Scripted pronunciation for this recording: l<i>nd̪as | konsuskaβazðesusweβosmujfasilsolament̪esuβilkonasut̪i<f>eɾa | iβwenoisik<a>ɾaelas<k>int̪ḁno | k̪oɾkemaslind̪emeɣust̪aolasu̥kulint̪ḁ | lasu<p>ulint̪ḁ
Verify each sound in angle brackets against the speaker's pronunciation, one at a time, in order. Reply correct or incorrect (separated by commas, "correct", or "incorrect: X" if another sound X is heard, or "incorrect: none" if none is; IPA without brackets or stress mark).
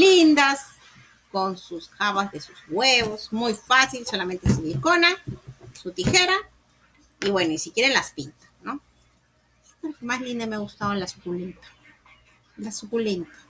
correct, incorrect: x, incorrect: e, incorrect: p, incorrect: k